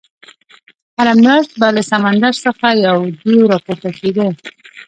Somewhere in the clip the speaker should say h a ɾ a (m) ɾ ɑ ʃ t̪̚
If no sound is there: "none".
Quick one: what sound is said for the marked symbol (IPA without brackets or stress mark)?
m